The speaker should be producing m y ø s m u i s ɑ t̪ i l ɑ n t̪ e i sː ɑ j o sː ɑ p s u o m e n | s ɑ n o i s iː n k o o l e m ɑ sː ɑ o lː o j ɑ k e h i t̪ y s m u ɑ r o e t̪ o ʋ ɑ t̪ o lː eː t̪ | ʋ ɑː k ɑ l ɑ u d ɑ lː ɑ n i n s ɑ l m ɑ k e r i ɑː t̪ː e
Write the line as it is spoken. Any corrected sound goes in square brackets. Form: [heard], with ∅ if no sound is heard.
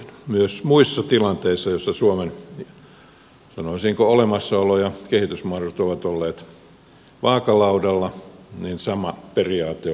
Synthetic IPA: m y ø s m u i [sː] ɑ t̪ i l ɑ n t̪ e i sː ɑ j o sː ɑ [∅] s u o m e n | s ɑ n o i s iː [ŋ] k o o l e m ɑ sː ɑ o [l] o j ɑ k e h i t̪ y s m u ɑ r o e t̪ o ʋ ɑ t̪ o lː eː t̪ | ʋ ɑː k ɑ l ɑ u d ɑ lː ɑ n i n s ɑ [∅] m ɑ [p] e r i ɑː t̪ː e